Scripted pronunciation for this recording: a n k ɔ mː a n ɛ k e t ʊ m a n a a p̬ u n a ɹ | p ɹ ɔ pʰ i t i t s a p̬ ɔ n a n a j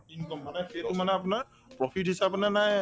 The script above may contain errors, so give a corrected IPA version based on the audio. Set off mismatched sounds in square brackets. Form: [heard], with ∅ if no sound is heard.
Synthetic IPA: [i] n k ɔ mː a n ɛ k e t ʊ m a n [ɛ] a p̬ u n a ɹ | p ɹ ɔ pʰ i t i [∅] s a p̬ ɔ n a n a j